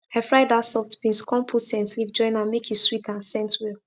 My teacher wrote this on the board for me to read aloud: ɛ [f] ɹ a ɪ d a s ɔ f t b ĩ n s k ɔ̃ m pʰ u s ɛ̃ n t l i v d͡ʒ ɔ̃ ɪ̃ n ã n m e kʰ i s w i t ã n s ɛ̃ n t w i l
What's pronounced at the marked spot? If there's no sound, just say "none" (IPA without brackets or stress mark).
f